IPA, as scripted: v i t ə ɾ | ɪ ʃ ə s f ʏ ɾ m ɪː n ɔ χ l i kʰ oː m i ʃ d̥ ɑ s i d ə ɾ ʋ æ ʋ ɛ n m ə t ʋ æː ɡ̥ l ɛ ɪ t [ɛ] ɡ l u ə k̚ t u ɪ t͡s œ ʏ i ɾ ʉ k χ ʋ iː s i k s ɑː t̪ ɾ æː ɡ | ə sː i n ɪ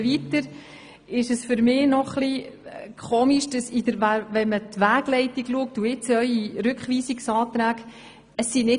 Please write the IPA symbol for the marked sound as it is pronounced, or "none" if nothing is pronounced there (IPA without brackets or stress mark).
i